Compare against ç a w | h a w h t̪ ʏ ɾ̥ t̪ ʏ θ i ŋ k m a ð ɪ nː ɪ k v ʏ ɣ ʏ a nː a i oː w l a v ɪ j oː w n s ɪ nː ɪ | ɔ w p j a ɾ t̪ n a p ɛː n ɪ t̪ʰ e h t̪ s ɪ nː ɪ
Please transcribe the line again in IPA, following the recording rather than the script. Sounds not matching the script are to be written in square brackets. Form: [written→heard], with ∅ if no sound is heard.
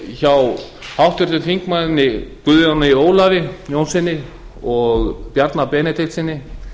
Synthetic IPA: ç a w | h a w h t̪ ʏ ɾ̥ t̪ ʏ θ i ŋ k m a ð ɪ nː ɪ k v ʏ [ɣ→ð] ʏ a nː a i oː w l a v ɪ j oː w n s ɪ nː ɪ | ɔ [w→ɣ] p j a ɾ t̪ n a p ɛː n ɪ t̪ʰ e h t̪ s ɪ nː ɪ